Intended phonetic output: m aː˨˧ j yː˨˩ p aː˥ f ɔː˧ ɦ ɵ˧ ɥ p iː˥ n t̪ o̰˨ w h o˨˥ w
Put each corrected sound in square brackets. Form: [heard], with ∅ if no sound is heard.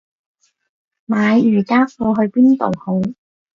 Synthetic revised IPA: m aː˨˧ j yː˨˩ [k] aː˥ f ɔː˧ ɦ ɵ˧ ɥ p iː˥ n t̪ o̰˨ w h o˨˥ w